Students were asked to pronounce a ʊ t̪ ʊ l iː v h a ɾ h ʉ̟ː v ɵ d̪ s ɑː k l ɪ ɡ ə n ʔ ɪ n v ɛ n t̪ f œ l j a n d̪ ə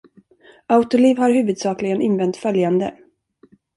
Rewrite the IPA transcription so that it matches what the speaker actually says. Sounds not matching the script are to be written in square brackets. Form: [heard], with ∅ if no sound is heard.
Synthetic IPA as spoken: a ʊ t̪ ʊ l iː v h a ɾ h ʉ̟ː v ɵ d̪ s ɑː k l ɪ ɡ ə n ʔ ɪ n v ɛ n t̪ f œ l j a n d̪ ə